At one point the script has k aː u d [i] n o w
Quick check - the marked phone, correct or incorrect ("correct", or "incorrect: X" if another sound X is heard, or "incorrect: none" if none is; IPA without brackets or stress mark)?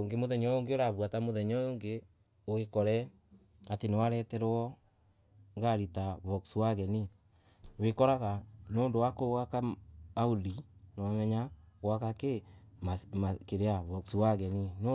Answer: correct